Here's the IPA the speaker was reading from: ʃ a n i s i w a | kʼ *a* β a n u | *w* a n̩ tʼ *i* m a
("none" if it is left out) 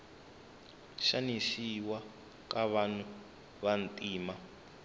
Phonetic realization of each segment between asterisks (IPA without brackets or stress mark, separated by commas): a, β, iː